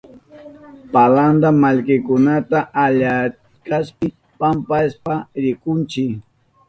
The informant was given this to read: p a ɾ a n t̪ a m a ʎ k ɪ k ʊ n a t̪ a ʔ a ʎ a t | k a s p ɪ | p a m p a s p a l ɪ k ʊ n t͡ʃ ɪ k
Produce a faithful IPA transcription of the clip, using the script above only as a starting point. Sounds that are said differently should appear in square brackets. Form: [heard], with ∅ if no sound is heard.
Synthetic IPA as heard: p a [l] a n [d̪] a m a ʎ k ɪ k ʊ n a t̪ a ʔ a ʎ a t | k a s p ɪ | p a m p a s p a [ɾ] ɪ k ʊ n t͡ʃ ɪ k